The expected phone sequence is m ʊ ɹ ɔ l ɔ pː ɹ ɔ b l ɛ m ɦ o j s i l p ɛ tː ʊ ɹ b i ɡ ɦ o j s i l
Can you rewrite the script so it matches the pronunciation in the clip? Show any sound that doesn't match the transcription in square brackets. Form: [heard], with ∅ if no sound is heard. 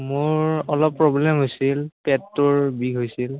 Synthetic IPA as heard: m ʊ ɹ ɔ l ɔ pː ɹ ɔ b l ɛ m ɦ o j s i l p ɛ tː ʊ ɹ b i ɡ ɦ o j s i l